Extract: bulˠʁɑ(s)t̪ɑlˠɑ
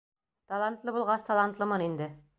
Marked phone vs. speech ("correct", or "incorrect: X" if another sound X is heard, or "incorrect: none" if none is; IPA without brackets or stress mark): correct